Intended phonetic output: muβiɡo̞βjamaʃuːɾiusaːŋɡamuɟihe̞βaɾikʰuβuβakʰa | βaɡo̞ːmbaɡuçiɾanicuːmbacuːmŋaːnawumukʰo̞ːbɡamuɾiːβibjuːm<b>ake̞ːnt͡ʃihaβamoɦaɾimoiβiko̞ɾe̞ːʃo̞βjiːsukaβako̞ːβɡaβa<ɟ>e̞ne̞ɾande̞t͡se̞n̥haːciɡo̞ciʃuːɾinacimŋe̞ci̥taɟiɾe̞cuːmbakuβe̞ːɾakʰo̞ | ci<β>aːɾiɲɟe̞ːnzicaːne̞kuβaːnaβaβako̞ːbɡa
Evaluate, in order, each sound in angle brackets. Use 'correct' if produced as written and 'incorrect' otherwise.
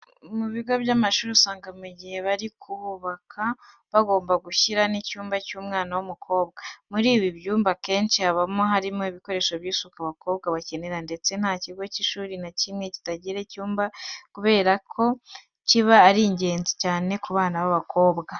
correct, incorrect: c, correct

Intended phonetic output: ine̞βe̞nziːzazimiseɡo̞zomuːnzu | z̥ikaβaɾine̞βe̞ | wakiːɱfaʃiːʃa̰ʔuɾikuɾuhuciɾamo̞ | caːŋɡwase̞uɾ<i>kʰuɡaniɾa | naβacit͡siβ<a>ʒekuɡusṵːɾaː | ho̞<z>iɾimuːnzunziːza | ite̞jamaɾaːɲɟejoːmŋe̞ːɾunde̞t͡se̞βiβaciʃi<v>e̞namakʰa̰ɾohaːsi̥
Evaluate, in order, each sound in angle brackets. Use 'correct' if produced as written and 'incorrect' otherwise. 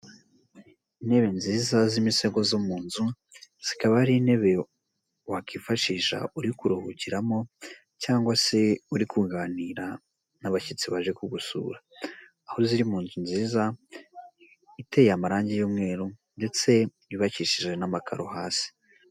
correct, correct, correct, incorrect: ʒ

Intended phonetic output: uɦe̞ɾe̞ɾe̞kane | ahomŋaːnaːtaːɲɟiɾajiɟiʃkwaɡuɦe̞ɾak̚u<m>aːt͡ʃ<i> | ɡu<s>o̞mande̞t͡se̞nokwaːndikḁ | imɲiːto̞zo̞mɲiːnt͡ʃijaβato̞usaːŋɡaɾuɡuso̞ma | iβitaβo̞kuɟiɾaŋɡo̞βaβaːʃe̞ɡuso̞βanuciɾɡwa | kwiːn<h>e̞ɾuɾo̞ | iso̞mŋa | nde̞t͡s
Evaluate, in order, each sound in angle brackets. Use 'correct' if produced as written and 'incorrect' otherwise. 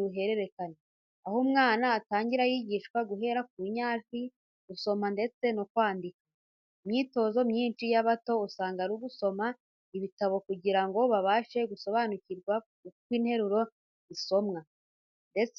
incorrect: ɲ, correct, correct, correct

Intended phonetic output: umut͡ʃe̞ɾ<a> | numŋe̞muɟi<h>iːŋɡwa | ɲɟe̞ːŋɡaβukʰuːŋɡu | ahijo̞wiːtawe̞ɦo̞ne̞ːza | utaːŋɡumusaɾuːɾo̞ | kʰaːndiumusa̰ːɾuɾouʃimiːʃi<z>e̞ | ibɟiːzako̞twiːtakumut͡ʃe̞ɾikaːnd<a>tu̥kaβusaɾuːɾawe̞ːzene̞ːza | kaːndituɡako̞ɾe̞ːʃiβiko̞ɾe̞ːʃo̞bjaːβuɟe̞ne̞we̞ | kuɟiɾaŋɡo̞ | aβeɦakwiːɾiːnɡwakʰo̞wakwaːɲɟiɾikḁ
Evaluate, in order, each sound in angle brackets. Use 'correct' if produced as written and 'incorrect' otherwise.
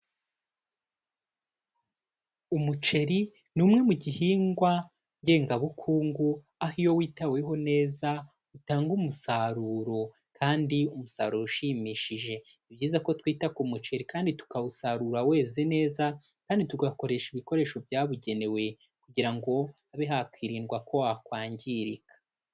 incorrect: i, correct, incorrect: ʒ, incorrect: i

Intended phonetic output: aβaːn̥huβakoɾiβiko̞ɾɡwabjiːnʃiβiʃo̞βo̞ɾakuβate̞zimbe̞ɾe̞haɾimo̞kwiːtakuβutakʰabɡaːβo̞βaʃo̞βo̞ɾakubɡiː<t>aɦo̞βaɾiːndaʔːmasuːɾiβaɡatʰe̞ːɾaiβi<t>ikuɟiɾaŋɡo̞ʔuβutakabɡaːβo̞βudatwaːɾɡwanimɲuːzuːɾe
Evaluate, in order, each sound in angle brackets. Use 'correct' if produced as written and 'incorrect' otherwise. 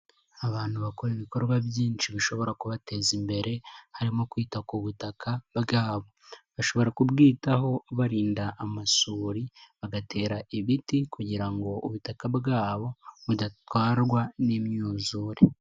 correct, correct

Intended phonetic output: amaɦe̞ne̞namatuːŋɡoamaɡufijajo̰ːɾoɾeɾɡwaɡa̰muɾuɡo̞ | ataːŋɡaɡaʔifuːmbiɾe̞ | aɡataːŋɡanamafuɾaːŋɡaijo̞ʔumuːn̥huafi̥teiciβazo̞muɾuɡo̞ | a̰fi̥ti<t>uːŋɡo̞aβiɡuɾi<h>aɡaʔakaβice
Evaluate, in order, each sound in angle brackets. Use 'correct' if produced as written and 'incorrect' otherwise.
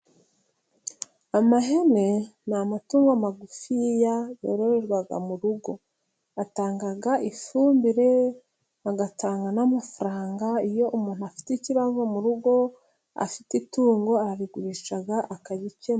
correct, incorrect: ʃ

